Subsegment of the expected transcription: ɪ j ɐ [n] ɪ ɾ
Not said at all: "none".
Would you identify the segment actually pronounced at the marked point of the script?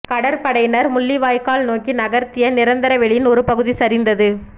n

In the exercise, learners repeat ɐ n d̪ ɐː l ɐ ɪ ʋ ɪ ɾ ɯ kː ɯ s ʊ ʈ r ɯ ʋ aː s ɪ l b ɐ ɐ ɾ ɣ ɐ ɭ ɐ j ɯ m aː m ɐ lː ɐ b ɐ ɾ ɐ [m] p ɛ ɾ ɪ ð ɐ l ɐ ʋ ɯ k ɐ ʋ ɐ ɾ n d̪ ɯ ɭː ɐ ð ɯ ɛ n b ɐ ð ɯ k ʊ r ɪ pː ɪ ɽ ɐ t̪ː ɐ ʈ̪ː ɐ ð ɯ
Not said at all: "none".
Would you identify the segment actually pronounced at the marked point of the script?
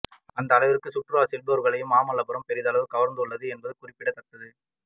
m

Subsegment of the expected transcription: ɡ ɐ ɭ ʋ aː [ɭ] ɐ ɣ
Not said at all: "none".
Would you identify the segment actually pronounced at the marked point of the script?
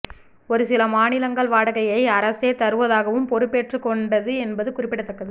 ɽ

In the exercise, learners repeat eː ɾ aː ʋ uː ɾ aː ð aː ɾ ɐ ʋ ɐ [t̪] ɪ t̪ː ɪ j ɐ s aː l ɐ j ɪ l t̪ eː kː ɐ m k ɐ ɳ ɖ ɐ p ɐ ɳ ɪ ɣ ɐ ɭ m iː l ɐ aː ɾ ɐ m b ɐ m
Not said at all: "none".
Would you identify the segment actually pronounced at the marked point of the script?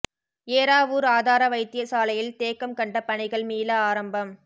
none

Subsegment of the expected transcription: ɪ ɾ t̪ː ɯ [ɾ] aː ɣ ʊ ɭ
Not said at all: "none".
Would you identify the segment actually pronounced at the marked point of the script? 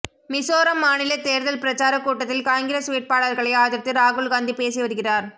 ɾ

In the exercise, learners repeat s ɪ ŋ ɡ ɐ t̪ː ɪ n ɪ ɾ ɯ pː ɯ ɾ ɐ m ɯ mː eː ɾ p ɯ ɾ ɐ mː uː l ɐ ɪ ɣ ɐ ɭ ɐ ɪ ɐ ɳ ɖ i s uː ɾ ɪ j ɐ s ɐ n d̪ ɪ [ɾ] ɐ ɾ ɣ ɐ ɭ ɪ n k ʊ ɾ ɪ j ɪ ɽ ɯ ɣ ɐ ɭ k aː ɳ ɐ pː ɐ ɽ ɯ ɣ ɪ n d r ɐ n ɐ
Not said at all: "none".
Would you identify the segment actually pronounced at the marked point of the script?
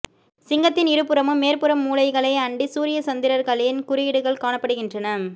ɾ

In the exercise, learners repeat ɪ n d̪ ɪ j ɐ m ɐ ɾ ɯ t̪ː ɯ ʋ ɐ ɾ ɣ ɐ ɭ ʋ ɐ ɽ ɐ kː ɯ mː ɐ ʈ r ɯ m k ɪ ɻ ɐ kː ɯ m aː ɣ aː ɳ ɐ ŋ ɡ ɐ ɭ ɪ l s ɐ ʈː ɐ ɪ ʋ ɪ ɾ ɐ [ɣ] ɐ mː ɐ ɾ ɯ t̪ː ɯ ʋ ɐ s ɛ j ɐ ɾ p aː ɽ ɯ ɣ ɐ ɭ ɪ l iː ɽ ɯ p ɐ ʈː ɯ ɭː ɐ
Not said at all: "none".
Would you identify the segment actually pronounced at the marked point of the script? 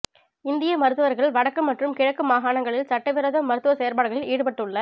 ð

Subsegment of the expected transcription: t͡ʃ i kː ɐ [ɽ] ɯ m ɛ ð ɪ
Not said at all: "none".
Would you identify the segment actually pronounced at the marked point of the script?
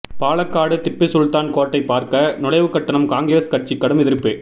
ɽ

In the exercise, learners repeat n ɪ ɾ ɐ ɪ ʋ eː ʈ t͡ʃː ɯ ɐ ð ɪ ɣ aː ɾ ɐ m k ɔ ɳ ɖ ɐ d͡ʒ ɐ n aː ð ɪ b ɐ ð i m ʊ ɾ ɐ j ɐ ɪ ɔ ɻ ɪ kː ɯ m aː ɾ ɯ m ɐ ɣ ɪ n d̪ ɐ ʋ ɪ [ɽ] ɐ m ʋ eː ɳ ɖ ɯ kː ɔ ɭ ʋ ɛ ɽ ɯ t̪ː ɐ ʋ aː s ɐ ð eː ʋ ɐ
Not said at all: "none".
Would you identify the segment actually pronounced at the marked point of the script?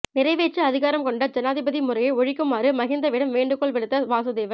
ɽ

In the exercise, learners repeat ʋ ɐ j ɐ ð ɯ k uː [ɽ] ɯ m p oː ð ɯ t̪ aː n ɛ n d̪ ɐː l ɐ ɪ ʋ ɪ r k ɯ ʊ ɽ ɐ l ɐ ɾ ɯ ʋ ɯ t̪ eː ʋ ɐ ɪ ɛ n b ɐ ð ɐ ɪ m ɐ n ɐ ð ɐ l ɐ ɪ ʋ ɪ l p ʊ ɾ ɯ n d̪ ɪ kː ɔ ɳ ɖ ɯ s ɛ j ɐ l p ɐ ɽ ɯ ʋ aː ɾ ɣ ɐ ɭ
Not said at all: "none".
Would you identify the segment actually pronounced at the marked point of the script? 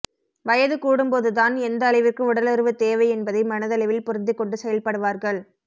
ɽ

